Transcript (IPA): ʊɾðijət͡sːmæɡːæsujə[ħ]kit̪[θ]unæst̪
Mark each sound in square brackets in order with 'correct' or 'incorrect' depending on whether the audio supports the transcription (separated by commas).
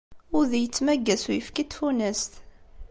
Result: incorrect, incorrect